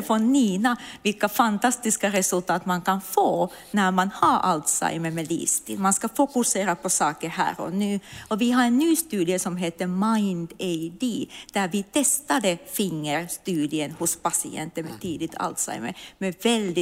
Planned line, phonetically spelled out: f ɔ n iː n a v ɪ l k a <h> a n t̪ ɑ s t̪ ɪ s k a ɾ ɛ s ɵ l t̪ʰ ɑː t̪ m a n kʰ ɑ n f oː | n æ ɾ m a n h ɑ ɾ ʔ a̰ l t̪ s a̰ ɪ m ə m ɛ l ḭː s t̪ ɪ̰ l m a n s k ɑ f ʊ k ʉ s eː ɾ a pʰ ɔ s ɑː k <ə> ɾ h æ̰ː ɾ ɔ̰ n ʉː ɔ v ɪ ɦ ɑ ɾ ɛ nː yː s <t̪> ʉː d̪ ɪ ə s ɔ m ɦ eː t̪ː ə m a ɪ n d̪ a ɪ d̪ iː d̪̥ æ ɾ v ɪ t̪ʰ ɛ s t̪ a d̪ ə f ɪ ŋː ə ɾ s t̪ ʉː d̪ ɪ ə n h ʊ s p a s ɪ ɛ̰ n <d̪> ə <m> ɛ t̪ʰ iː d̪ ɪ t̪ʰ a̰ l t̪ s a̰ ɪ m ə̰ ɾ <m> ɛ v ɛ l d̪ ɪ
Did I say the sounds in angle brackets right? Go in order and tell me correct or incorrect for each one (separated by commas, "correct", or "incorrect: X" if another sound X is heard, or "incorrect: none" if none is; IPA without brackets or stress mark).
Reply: incorrect: f, correct, correct, incorrect: t̪, correct, correct